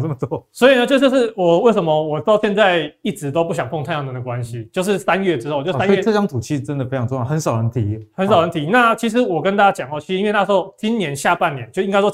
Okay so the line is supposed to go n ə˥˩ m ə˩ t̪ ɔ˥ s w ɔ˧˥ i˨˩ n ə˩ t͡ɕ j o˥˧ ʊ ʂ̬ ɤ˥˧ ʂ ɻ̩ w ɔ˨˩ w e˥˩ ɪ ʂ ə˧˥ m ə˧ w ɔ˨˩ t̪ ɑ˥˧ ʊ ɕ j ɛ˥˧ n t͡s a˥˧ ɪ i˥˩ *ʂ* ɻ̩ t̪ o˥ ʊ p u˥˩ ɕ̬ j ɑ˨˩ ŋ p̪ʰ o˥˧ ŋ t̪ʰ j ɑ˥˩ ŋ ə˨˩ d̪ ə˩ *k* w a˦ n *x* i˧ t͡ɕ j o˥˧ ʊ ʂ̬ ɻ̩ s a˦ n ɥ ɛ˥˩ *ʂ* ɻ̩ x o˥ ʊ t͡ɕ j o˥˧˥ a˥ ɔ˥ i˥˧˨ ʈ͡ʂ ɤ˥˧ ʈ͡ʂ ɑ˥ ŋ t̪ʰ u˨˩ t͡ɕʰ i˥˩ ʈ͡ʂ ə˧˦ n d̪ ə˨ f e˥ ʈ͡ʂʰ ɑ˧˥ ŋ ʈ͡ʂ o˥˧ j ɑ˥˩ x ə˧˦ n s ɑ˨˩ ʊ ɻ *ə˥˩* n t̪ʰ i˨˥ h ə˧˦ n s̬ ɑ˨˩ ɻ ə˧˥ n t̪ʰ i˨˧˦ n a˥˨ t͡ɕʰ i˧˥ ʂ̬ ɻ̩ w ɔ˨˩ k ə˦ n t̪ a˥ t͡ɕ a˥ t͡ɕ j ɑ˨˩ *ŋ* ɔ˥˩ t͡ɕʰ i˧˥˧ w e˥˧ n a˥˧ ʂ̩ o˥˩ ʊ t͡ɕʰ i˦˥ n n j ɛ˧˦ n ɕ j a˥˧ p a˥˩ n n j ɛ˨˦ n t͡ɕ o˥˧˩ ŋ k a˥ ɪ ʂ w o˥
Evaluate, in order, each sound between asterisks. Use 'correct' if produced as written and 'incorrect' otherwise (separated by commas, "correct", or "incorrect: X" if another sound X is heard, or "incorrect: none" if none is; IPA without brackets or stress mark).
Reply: incorrect: ʈ͡ʂ, correct, incorrect: ɕ, incorrect: ʈ͡ʂ, incorrect: ə˧˦, correct